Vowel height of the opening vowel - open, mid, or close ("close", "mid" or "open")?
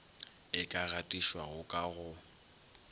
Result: close